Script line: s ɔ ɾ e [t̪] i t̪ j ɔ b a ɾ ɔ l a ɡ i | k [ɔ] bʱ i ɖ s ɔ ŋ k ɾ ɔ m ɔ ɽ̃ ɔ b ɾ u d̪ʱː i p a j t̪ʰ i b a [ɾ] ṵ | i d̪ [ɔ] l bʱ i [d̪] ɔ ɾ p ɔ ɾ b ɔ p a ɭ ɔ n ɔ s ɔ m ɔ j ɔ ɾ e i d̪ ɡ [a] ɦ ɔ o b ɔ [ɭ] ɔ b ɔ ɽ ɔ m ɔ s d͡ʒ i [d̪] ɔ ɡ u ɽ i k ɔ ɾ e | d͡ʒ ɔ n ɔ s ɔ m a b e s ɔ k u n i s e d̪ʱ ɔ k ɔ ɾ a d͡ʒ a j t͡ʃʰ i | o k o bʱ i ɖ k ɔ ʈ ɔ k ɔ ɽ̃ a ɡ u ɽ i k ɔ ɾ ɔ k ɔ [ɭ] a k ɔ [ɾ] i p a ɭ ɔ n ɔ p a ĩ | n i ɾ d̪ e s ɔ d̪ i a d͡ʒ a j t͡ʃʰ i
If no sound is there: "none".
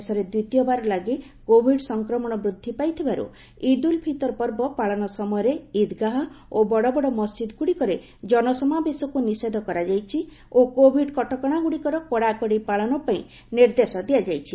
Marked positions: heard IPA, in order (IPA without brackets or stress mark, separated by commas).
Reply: d̪, o, ɾ, u, t̪, a, ɽ, d̪, ɽ, ɽ